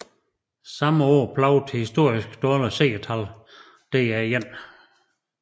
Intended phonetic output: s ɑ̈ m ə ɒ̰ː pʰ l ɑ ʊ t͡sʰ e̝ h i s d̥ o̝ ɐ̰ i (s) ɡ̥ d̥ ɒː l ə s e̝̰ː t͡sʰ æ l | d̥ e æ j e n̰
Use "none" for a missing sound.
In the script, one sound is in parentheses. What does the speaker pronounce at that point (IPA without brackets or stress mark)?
s